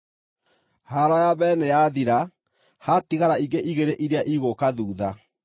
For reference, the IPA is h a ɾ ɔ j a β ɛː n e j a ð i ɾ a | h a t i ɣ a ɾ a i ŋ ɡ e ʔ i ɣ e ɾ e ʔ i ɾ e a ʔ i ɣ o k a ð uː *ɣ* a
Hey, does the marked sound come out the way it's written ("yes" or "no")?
no